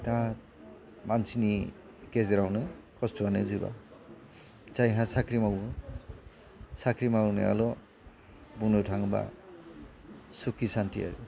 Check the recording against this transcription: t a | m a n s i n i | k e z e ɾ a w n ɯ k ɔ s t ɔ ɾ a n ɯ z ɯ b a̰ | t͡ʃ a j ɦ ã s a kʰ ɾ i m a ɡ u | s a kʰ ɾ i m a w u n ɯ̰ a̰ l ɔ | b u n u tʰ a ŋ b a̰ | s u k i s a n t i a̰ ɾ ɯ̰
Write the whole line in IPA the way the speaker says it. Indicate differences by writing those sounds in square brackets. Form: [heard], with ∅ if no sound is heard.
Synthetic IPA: t a | m a n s i n i | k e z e ɾ a w n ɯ k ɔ s t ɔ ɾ a n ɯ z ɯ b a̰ | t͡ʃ a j ɦ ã s a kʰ ɾ i m a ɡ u | s a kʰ ɾ i m a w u n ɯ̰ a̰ l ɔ | b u n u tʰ a ŋ b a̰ | s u k i s a n t i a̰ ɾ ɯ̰